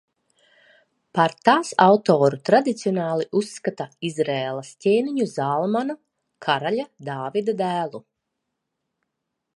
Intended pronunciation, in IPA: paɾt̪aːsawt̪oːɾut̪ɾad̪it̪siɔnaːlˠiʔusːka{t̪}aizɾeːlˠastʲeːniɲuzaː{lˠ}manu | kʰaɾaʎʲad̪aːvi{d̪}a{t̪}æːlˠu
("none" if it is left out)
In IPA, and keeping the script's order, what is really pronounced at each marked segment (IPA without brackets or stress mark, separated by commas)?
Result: t̪, lˠ, d̪, d̪